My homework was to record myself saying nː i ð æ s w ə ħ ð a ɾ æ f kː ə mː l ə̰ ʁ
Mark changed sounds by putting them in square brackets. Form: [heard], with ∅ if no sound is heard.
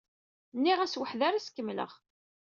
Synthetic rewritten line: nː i [ʁ] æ s w ə ħ ð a ɾ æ [s] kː ə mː l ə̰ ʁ